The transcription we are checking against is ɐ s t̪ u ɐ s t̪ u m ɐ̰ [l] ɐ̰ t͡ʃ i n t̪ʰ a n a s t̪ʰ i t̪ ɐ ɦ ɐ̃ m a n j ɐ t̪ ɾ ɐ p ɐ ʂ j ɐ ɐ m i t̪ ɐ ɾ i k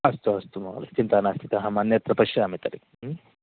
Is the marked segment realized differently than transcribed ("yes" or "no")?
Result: no